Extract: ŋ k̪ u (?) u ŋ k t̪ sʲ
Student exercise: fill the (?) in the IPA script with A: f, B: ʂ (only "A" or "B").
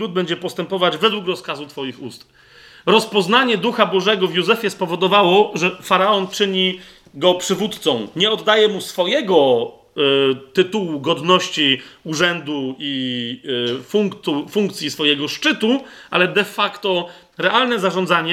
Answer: A